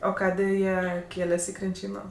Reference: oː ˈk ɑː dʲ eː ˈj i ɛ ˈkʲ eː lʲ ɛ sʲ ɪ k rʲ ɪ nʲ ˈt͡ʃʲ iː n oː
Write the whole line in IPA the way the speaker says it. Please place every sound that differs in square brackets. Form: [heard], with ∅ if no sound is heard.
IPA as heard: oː ˈk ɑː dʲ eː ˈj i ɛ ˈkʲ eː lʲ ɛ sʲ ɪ k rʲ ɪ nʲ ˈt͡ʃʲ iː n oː